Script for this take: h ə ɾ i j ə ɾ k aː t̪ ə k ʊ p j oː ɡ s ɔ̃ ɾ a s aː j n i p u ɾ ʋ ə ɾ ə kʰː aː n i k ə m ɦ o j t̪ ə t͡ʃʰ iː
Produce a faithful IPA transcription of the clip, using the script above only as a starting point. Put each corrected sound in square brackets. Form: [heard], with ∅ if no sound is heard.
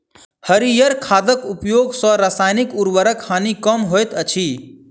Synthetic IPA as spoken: h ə ɾ i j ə ɾ [kʰ] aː [d̪] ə k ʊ p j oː ɡ s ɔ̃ ɾ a s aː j n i [k] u ɾ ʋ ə ɾ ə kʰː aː n i k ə m ɦ o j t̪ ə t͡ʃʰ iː